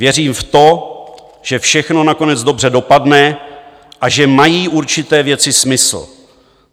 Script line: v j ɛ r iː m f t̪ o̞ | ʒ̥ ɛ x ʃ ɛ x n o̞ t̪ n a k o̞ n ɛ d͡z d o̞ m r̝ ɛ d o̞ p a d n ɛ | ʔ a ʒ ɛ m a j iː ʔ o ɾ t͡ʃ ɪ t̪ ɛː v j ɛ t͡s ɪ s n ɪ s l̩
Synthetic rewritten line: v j ɛ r iː m f t̪ o̞ | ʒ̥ ɛ f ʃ ɛ x n o̞ n a k o̞ n ɛ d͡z d o̞ b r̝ ɛ d o̞ p a d n ɛ | ʔ a ʒ ɛ m a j iː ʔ u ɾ t͡ʃ ɪ t̪ ɛː v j ɛ t͡s ɪ s m ɪ s l̩